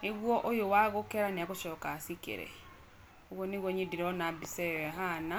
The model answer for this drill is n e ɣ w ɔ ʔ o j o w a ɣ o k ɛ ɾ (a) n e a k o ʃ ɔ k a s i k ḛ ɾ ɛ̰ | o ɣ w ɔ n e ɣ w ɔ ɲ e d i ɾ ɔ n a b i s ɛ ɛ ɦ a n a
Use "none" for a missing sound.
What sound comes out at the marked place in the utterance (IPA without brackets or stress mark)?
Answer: a